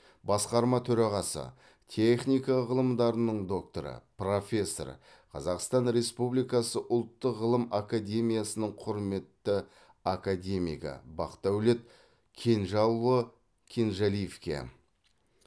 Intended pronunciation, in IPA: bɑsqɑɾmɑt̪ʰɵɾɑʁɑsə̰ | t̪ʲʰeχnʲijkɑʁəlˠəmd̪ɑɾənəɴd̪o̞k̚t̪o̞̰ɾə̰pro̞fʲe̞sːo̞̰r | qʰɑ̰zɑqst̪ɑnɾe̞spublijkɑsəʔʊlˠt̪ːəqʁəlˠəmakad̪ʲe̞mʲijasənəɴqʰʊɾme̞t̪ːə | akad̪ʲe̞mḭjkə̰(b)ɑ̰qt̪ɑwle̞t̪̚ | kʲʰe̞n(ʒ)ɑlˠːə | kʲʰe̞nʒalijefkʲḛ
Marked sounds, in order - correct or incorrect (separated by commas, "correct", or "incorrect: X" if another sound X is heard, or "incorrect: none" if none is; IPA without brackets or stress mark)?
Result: correct, correct